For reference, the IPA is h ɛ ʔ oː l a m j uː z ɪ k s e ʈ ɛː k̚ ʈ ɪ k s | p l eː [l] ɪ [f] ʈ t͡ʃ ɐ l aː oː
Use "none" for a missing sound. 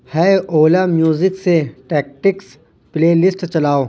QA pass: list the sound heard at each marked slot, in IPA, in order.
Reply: l, s

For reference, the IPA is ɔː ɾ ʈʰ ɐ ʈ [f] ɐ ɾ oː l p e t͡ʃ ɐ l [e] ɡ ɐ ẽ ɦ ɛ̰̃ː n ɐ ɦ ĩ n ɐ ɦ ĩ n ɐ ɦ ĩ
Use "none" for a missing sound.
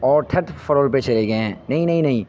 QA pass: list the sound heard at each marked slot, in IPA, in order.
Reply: f, e

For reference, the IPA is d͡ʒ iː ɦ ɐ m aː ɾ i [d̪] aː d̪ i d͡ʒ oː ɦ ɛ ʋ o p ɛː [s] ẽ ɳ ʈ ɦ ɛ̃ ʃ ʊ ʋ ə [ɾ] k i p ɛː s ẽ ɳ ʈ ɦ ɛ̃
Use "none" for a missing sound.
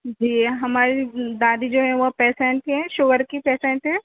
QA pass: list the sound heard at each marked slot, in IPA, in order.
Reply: d̪, s, ɾ

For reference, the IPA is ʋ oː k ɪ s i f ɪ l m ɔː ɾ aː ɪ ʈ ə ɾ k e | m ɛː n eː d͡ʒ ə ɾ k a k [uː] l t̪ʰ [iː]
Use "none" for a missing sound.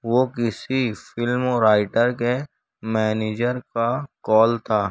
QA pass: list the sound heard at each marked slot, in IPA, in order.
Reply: ɔː, aː

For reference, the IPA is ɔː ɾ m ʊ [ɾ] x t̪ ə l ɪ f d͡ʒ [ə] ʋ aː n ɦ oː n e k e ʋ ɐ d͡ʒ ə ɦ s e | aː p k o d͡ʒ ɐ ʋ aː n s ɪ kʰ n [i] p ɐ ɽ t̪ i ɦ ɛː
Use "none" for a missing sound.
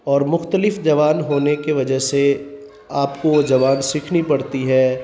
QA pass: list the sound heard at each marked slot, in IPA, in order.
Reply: none, ɐ, i

